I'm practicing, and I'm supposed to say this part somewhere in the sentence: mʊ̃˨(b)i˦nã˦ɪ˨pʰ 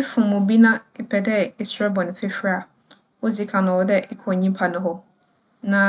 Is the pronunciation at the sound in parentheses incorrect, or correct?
correct